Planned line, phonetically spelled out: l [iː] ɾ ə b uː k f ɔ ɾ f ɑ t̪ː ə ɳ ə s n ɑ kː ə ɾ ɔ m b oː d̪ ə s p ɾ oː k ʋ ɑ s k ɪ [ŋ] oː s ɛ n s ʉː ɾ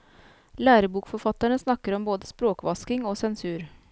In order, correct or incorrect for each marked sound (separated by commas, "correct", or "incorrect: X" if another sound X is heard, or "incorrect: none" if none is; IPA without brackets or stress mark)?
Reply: incorrect: æː, correct